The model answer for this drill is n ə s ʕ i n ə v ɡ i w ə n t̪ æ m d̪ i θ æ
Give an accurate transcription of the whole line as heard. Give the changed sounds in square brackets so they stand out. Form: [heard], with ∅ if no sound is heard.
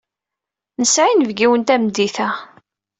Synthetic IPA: n ə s ʕ i n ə v ɡ i w ə n t̪ æ m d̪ i θ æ